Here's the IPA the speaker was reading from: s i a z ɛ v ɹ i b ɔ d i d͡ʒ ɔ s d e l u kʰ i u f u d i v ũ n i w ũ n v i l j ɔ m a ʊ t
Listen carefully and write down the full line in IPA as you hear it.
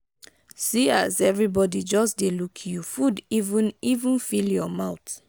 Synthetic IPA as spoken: s i a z ɛ v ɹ i b ɔ d i d͡ʒ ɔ s d e l u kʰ j u f u d i v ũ n i v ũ n f i l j ɔ m a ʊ t